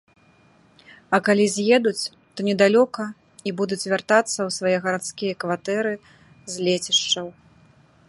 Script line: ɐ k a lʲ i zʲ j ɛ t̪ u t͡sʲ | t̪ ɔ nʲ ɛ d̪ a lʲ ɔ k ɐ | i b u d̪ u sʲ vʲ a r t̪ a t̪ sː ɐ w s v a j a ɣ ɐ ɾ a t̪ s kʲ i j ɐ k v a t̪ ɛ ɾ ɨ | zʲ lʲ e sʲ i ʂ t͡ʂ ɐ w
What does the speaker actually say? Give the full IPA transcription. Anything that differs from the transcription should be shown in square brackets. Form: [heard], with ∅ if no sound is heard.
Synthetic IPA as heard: ɐ k a lʲ i zʲ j ɛ [d̪] u t͡sʲ | t̪ ɔ nʲ ɛ d̪ a lʲ ɔ k ɐ | i b u d̪ u [t͡sʲ] vʲ a r t̪ a t̪ sː ɐ w s v a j [ɛ] ɣ ɐ ɾ a t̪ s kʲ i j ɐ k v a t̪ ɛ ɾ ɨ | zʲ lʲ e [t͡sʲ] i ʂ t͡ʂ ɐ w